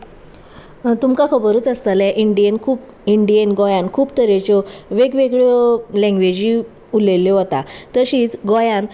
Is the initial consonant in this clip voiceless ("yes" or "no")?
yes